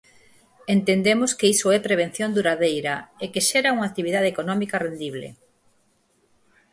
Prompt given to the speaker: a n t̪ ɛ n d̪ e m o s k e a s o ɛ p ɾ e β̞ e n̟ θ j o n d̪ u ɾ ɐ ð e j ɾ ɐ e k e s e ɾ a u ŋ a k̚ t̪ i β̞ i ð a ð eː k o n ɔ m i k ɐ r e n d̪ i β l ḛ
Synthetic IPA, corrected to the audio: e n t̪ e n d̪ e m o s k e i s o ɛ p ɾ e β̞ e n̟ θ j o n d̪ u ɾ a ð e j ɾ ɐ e k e ʃ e ɾ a u ŋ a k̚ t̪ i β̞ i ð a ð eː k o n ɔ m i k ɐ r e n d̪ i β l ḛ